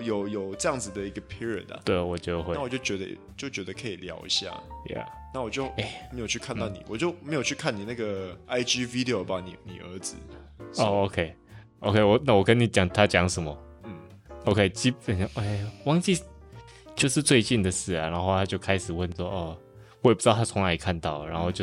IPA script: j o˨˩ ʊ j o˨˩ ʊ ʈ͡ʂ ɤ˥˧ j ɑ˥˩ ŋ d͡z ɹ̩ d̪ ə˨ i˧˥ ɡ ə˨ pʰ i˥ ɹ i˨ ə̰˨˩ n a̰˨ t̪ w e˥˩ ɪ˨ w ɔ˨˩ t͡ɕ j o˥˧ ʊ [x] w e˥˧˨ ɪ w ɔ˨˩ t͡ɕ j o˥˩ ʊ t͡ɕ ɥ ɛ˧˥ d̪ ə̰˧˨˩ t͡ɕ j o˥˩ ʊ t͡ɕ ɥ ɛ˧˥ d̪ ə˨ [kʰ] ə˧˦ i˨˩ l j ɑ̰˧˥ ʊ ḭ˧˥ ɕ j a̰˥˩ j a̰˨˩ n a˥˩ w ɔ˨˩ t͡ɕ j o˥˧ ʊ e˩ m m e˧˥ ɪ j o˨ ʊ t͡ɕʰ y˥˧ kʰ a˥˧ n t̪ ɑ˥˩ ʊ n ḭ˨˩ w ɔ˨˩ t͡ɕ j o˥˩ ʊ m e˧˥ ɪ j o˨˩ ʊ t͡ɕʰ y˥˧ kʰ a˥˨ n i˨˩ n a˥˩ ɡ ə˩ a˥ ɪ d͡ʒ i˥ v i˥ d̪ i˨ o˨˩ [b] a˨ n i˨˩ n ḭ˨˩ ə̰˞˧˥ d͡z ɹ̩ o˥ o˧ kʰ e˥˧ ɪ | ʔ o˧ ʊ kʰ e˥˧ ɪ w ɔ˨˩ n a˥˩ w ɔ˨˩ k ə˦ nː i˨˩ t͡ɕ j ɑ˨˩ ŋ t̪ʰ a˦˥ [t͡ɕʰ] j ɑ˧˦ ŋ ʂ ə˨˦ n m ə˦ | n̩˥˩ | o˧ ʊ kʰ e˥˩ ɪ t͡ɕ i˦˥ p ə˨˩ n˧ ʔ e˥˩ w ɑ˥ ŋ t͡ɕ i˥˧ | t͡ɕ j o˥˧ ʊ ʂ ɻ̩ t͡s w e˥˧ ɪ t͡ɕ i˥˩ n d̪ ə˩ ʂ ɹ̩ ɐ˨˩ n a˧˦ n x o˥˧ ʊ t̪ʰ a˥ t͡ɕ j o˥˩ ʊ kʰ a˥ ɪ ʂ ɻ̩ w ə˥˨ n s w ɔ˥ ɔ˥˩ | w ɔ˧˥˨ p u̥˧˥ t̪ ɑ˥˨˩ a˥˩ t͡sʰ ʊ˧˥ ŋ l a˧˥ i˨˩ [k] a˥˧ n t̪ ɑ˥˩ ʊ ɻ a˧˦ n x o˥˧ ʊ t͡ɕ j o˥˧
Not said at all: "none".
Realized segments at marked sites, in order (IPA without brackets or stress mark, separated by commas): x, kʰ, b, t͡ɕ, kʰ